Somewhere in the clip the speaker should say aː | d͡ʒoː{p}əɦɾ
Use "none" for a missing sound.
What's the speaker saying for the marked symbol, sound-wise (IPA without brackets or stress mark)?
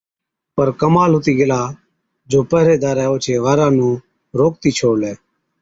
p